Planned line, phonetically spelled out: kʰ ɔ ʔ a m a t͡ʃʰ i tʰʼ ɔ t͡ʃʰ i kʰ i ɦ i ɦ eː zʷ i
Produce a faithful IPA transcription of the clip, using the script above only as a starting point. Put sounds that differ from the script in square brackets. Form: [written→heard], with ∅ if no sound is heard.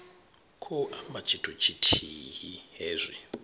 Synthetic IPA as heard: kʰ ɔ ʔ a m a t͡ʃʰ i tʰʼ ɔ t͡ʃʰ i [kʰ→tʰ] i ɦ i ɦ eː zʷ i

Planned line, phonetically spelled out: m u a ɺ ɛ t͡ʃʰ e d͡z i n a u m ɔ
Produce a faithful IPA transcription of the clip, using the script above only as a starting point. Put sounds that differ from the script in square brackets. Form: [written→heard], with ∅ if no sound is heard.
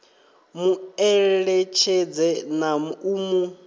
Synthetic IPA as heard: m u [a→ɛ] ɺ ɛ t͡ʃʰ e d͡z [i→ɛ] n a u m [ɔ→u]

